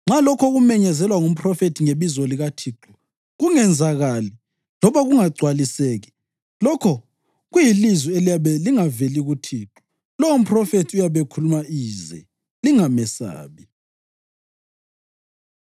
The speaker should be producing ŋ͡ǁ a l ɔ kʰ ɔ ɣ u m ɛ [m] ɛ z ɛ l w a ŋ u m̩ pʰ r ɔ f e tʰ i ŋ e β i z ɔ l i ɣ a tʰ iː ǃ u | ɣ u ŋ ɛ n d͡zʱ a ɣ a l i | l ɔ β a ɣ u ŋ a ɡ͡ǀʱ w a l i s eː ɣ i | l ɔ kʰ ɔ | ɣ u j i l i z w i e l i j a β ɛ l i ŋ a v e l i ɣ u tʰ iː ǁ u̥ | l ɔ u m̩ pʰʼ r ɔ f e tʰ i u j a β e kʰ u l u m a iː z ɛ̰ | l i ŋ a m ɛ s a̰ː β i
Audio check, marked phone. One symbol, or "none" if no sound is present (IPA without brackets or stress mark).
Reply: ɲ